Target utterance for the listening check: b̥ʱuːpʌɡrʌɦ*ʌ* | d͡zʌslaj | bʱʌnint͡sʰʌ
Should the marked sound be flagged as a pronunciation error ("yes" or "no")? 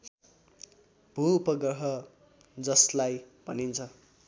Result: no